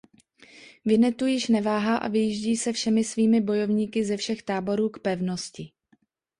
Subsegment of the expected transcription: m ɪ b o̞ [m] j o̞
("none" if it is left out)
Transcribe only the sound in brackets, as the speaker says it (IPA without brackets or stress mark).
none